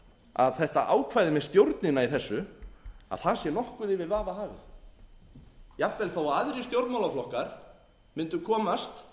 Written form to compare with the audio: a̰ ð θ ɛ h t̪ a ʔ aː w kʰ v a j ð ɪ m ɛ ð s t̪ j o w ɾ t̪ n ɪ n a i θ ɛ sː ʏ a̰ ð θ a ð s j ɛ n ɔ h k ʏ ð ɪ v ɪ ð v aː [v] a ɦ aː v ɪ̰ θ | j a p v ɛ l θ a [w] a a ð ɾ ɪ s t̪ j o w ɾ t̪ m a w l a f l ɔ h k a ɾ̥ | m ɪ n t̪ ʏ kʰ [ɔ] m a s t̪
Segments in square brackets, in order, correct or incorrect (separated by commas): correct, correct, incorrect